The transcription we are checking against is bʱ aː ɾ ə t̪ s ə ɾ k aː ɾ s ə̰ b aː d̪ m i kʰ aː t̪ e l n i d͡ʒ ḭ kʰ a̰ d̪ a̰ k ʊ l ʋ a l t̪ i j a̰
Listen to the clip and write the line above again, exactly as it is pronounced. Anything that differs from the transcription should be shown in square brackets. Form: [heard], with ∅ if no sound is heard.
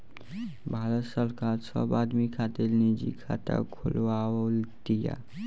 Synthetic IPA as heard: bʱ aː ɾ ə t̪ s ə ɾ k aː ɾ s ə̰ b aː d̪ m i kʰ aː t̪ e l n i d͡ʒ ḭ kʰ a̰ [t̪] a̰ [kʰ] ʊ l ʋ a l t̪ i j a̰